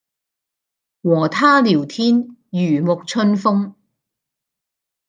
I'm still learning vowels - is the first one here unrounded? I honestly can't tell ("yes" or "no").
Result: no